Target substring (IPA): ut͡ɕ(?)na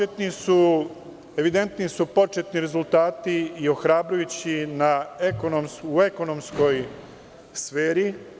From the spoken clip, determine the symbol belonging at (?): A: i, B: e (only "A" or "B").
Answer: A